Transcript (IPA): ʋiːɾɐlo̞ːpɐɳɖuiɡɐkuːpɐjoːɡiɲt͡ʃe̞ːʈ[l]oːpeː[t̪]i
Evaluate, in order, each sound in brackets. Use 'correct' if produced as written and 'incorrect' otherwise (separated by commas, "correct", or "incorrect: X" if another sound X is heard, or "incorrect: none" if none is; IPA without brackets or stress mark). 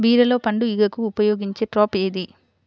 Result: incorrect: ɾ, incorrect: d̪